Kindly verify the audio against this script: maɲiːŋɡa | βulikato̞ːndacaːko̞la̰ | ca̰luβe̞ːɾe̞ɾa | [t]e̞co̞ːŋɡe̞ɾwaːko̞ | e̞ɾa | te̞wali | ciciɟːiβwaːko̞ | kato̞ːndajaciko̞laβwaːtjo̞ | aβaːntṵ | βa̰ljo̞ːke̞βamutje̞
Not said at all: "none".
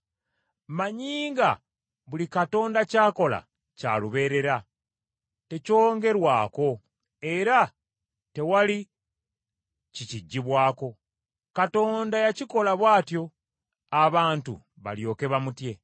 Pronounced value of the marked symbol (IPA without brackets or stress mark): t